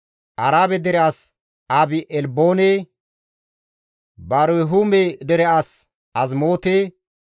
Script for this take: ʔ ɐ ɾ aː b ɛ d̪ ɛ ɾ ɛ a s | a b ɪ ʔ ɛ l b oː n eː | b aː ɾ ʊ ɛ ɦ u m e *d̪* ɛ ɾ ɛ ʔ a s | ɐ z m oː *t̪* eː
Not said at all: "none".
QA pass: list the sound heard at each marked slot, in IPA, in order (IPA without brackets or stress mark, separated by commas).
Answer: d̪, t̪